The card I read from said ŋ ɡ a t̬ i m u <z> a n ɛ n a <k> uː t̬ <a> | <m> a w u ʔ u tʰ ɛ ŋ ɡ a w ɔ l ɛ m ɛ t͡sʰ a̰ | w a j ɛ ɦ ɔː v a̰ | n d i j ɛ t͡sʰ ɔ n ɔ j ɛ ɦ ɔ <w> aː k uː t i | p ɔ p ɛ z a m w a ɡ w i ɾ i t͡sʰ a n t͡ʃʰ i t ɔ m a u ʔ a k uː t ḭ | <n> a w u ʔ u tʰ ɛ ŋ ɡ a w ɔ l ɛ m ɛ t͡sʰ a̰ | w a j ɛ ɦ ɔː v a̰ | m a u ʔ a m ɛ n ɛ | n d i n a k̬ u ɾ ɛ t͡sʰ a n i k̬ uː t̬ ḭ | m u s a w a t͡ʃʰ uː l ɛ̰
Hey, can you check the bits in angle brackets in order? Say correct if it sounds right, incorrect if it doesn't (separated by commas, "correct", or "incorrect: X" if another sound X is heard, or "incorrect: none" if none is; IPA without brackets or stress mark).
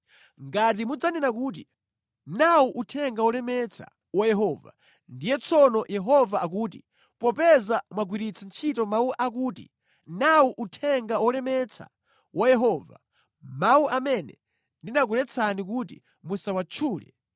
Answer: incorrect: d͡z, correct, incorrect: i, incorrect: n, incorrect: v, correct